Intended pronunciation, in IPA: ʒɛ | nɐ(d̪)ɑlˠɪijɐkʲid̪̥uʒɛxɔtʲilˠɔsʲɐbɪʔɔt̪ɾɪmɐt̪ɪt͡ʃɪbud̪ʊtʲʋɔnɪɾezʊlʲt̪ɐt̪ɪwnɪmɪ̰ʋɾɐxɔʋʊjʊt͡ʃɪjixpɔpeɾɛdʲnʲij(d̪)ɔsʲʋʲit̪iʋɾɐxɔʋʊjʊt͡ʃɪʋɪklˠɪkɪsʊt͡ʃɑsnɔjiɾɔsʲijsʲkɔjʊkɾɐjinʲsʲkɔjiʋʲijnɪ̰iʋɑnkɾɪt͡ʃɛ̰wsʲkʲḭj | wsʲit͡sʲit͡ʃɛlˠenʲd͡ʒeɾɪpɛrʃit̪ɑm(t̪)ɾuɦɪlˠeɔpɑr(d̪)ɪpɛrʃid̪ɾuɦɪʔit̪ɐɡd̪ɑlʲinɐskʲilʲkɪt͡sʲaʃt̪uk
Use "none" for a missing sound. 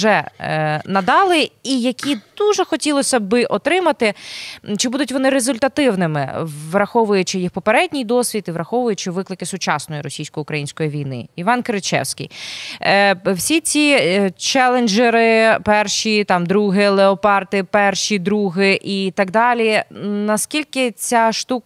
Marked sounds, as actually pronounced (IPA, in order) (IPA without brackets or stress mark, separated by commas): d̪, d̪, d̪, t̪